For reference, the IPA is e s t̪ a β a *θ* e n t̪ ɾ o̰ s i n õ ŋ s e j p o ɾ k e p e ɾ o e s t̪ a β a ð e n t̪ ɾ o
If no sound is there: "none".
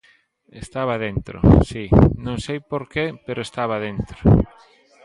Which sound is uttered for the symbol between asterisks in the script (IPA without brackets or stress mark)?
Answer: ð